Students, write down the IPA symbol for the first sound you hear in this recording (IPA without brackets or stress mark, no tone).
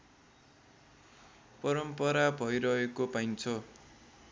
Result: p